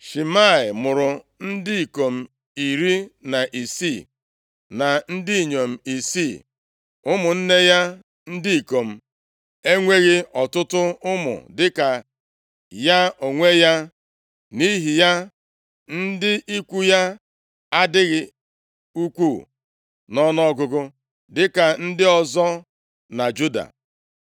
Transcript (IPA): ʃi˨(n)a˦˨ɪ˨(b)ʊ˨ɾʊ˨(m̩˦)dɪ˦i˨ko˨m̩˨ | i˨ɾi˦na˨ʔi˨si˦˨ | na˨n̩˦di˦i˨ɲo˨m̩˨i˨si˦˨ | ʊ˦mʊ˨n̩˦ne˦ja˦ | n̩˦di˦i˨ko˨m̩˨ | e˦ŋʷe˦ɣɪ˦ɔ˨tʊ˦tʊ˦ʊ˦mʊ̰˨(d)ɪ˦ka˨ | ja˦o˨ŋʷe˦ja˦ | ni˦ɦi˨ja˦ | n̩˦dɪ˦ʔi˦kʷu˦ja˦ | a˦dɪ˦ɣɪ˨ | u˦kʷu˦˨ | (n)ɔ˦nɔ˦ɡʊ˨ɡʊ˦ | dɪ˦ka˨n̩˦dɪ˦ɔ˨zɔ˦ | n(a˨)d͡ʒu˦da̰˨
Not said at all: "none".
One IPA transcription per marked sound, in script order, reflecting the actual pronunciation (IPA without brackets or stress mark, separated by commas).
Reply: m, m, n̩˦, d, n, a˨